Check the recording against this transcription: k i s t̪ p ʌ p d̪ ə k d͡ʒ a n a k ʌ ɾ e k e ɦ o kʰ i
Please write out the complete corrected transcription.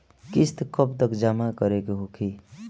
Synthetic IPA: k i s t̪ k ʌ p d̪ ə k d͡ʒ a m a k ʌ ɾ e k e ɦ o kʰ i